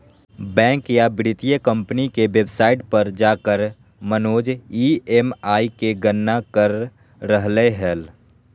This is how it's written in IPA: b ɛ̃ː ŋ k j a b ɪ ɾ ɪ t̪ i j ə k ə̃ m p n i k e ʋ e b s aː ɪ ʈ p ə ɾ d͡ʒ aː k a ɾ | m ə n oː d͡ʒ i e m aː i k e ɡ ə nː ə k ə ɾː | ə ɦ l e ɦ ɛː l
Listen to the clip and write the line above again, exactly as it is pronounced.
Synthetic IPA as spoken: b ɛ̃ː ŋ k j a b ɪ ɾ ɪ t̪ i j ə k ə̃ m p n i k e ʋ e b s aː ɪ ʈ p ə ɾ d͡ʒ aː k ə ɾ | m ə n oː d͡ʒ i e m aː i k e ɡ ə nː a k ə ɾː | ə ɦ l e ɦ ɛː l